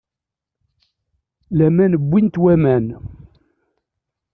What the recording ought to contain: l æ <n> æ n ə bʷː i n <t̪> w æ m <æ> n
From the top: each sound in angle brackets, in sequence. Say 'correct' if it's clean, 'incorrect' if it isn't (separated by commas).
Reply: incorrect, correct, correct